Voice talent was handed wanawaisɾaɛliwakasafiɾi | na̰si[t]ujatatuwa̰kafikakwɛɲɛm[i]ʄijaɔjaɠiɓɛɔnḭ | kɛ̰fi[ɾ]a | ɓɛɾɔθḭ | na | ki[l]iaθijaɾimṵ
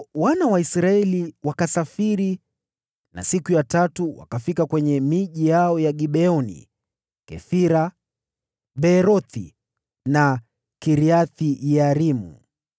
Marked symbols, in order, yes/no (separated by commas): no, yes, yes, no